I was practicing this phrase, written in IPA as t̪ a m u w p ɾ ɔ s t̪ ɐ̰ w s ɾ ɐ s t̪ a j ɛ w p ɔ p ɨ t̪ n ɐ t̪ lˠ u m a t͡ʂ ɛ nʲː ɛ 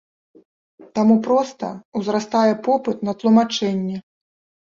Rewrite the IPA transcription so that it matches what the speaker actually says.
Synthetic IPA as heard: t̪ a m u p ɾ ɔ s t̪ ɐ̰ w z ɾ a s t̪ a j ɛ p ɔ p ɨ t̪ n ɐ t̪ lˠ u m a t͡ʂ ɛ nʲː ɛ